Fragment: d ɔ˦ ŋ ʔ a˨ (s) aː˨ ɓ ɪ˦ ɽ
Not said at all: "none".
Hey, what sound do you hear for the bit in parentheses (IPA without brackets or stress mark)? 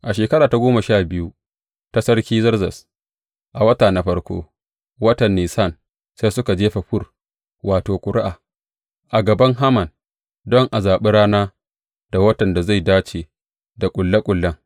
z